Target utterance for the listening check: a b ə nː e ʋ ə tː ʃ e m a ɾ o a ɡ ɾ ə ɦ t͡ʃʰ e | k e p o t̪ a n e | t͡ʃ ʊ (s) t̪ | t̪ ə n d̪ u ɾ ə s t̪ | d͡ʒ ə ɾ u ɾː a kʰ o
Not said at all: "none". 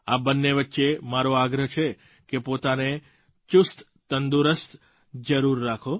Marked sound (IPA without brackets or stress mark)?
s